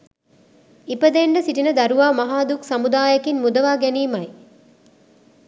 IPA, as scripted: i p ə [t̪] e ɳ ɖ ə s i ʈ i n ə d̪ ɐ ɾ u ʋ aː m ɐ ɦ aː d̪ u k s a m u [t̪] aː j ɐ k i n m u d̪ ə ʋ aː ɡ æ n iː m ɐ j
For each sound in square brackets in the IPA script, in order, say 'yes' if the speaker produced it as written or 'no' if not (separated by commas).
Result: no, no